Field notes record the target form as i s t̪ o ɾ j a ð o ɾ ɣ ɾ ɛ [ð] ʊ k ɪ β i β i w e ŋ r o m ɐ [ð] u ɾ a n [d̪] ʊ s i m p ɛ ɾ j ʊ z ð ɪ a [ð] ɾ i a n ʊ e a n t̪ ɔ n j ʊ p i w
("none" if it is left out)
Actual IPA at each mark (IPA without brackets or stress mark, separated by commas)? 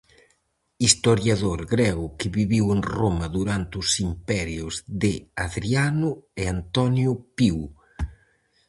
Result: ɣ, ð, t̪, ð